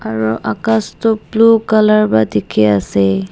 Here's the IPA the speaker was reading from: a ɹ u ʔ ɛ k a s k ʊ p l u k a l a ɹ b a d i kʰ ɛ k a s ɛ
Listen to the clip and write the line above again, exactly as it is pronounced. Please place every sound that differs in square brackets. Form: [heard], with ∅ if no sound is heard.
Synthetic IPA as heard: a ɹ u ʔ [a] k a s [t] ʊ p l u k a l a ɹ b a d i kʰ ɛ [∅] a s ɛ